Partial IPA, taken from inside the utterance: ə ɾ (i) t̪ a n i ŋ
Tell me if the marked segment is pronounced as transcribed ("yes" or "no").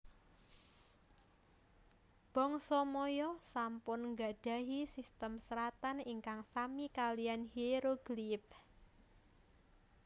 no